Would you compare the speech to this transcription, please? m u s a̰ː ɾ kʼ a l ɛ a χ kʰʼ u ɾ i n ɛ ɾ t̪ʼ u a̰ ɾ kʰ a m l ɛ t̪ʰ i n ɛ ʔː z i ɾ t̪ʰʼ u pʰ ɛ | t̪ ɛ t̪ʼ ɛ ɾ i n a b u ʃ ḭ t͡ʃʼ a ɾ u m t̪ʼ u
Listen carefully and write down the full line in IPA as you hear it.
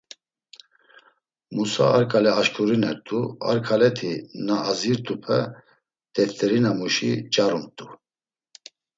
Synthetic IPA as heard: m u s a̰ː ɾ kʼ a l ɛ a ʃ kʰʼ u ɾ i n ɛ ɾ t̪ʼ u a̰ ɾ kʰ a l ɛ t̪ʰ i n a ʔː z i ɾ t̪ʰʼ u pʰ ɛ | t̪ ɛ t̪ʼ ɛ ɾ i n a m u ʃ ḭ t͡ʃʼ a ɾ u m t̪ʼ u

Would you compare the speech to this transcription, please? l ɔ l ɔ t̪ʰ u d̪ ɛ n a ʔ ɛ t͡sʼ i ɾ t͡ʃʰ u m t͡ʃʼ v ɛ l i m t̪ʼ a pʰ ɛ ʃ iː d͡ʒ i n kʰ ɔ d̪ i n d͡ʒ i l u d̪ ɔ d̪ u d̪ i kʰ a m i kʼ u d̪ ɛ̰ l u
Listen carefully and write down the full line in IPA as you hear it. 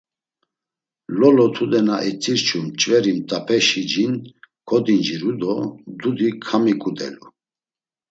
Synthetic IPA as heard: l ɔ l ɔ t̪ʰ u d̪ ɛ n a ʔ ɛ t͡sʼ i ɾ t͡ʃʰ u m t͡ʃʼ v ɛ ɾ i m t̪ʼ a pʰ ɛ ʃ i d͡ʒ i n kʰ ɔ d̪ i n d͡ʒ i ɾ u d̪ ɔ d̪ u d̪ i kʰ a m i kʼ u d̪ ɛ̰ l u

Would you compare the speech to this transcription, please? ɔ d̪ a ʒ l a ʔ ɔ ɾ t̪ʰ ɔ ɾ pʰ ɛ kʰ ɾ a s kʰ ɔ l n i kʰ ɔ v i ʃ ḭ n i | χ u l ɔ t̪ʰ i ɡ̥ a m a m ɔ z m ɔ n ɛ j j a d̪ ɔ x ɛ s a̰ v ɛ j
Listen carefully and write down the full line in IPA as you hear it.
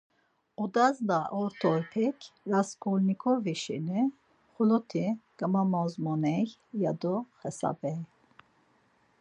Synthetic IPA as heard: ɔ d̪ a z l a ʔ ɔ ɾ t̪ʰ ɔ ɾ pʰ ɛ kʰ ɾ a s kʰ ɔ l n i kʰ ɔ v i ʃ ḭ n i | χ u l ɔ t̪ʰ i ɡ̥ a m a m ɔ z m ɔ n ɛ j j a d̪ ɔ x ɛ s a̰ b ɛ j

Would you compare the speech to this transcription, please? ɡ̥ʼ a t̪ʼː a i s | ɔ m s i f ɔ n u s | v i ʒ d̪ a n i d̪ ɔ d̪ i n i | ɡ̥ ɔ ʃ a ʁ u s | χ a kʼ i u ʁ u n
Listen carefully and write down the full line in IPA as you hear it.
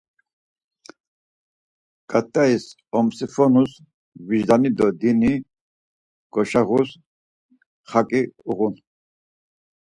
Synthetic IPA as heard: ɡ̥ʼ a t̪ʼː a i s | ɔ m s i f ɔ n u s | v i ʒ d̪ a n i d̪ ɔ d̪ i n i | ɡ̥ ɔ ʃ a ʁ u s | χ a kʼ i u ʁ u n

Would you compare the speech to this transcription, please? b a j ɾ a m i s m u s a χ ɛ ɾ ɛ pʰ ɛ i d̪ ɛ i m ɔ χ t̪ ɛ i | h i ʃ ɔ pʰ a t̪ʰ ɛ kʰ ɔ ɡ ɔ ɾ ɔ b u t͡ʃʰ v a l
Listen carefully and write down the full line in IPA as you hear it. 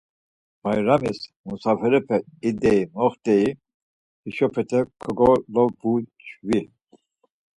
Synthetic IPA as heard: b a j ɾ a m i s m u s a f ɛ ɾ ɛ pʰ ɛ i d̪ ɛ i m ɔ χ t̪ ɛ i | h i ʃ ɔ pʰ ɛ t̪ʰ ɛ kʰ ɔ ɡ ɔ l ɔ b u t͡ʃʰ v i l

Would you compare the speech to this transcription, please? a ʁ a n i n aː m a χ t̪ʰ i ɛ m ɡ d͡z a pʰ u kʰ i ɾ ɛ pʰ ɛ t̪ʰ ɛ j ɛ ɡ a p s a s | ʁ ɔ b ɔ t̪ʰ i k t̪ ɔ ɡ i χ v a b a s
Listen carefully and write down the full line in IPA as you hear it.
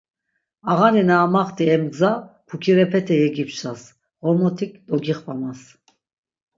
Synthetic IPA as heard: a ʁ a n i n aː m a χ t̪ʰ i ɛ m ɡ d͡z a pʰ u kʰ i ɾ ɛ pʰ ɛ t̪ʰ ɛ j ɛ ɡ i p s a s | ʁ ɔ m ɔ t̪ʰ i k d̪ ɔ ɡ i χ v a m a s

